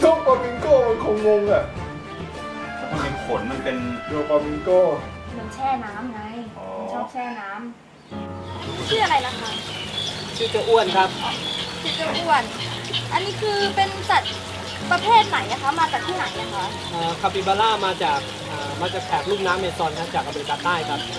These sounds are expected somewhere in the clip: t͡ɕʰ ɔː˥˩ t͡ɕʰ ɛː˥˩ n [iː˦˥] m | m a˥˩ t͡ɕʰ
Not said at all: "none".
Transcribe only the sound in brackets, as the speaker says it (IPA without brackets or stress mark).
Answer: aː˦˥